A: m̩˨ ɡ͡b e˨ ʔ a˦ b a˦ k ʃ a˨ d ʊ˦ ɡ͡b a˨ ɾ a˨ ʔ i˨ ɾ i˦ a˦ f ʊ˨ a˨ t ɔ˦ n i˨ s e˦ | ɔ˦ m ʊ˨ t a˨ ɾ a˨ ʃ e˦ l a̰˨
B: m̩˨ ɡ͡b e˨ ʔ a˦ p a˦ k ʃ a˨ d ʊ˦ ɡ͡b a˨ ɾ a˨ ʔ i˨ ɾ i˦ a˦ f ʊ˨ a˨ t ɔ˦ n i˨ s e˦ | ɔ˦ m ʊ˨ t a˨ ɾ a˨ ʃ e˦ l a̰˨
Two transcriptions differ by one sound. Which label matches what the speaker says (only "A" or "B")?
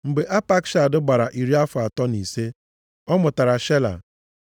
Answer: B